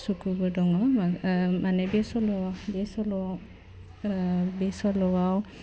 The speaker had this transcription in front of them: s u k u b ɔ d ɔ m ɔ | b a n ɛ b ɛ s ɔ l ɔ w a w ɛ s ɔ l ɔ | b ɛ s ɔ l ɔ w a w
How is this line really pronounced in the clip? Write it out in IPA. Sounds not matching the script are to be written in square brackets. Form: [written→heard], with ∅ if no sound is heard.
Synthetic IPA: s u k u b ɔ d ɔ [m→ŋ] ɔ | [b→m] a n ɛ b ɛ s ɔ l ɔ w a [w→b] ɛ s ɔ l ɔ | b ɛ s ɔ l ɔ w a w